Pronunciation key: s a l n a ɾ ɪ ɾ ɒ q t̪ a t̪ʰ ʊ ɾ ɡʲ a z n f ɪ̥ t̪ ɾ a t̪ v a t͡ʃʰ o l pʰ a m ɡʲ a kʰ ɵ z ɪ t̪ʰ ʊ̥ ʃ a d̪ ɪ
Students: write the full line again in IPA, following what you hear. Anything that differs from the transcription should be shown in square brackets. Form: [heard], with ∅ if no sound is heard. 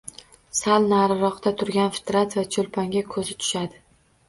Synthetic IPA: s a l n a ɾ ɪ ɾ ɒ q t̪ a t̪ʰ ʊ ɾ ɡʲ a [∅] n f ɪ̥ t̪ ɾ a t̪ v a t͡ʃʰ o l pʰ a [ŋ] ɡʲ a kʰ ɵ z ɪ t̪ʰ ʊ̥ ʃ a d̪ ɪ